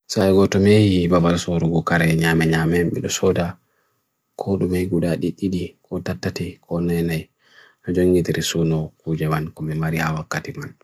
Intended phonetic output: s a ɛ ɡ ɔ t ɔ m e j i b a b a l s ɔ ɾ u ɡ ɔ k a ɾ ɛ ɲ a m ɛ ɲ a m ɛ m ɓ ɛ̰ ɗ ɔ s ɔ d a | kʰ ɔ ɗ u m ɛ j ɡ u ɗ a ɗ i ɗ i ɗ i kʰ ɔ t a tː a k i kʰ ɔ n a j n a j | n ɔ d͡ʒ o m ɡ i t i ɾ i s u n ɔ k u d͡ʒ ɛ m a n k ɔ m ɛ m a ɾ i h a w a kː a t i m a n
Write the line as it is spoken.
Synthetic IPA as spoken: s a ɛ ɡ ɔ t ɔ m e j i b a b a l s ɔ ɾ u ɡ ɔ k a ɾ ɛ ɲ a m ɛ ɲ a m ɛ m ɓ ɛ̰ ɗ ɔ s ɔ d a | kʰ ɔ ɗ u m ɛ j ɡ u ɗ a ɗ i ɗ i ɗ i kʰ ɔ t a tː a t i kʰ ɔ n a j n a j | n ɔ d͡ʒ o ŋ ɡ i t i ɾ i s u n ɔ k u d͡ʒ ɛ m a n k ɔ m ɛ m a ɾ i h a w a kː a t i m a n